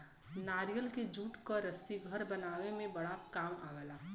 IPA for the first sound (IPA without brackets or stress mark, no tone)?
n